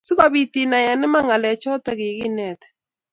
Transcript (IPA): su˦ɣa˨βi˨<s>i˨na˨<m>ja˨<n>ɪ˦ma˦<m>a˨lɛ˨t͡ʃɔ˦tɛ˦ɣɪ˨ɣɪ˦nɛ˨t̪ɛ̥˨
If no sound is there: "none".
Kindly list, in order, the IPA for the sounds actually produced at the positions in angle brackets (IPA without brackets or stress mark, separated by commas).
t, none, n, ŋ